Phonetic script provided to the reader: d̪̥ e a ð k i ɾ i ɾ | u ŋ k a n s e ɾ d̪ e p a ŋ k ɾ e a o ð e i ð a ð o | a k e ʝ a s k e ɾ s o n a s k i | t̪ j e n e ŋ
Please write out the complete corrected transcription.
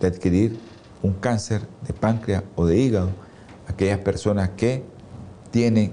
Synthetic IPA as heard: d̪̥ e a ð k i ɾ i ɾ | u ŋ k a n s e ɾ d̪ e p a ŋ k ɾ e a o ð e i ɣ a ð o | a k e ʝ a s p e ɾ s o n a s k e | t̪ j e n e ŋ